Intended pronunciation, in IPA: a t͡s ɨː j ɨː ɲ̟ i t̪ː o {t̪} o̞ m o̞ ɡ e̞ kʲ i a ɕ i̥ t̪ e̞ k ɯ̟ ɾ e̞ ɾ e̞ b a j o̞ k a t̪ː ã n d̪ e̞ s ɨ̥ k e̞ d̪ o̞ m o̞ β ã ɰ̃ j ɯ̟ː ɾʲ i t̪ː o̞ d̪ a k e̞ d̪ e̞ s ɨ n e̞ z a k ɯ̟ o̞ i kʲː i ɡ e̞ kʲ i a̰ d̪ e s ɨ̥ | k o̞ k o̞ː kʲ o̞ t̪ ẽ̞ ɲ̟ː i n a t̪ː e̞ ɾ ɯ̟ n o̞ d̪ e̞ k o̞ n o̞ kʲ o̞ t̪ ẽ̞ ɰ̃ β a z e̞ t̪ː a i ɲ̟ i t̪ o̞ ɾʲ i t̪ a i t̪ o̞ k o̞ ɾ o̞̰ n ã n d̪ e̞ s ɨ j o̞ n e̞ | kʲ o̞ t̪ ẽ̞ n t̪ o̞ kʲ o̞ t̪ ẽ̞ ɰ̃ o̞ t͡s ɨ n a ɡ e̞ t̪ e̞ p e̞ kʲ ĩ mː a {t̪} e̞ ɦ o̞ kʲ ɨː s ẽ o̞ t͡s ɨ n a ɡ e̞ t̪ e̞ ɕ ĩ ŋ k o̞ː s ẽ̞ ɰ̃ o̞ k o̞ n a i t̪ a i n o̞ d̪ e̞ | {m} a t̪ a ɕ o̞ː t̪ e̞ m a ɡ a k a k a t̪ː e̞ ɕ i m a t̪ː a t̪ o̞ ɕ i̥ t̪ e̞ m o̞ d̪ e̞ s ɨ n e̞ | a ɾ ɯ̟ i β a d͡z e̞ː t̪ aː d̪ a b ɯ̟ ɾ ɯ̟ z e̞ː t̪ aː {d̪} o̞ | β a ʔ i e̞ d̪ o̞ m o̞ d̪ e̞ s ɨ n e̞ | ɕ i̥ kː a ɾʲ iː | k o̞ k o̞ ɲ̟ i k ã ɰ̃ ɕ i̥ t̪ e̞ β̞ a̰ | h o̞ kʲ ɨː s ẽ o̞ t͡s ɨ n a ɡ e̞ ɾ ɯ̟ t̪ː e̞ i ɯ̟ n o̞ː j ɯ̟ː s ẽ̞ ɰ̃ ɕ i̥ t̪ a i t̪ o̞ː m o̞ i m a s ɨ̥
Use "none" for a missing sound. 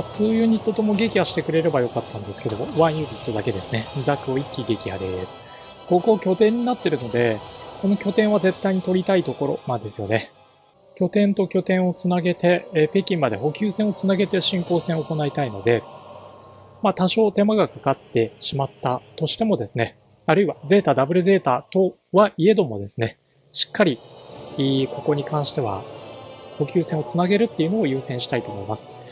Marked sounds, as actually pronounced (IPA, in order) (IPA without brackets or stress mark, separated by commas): t̪, d̪, m, t̪